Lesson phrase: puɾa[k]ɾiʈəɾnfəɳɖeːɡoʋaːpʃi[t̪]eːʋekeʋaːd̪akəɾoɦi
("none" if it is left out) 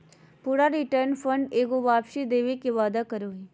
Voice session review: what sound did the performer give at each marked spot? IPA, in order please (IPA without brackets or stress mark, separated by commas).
none, d̪